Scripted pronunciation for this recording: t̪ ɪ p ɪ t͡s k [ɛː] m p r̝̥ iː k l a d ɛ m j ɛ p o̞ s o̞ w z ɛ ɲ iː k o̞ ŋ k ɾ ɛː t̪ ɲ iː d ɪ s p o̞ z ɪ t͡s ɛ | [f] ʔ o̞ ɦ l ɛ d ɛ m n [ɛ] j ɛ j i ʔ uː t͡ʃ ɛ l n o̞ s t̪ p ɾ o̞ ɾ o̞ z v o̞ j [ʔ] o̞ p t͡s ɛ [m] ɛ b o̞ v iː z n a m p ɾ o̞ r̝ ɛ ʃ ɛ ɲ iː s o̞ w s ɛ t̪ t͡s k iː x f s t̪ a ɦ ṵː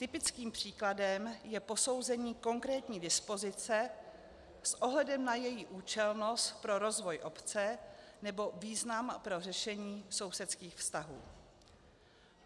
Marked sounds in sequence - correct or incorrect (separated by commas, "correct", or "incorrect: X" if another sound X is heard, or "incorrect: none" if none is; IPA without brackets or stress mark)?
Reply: incorrect: iː, incorrect: s, incorrect: a, correct, incorrect: n